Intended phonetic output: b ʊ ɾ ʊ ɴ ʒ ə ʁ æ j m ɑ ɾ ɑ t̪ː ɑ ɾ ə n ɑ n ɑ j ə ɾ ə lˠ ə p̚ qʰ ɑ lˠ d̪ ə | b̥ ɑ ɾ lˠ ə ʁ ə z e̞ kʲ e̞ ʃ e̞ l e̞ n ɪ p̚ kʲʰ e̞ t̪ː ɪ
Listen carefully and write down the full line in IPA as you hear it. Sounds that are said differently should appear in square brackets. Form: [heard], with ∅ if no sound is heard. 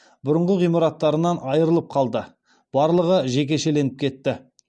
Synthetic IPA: b ʊ ɾ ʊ ɴ [ʁ] ə ʁ [i] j m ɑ ɾ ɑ t̪ː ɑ ɾ ə n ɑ n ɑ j ə ɾ ə lˠ ə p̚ qʰ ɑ lˠ d̪ ə | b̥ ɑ ɾ lˠ ə ʁ ə [ʒ] e̞ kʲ e̞ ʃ e̞ l e̞ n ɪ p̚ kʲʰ e̞ t̪ː ɪ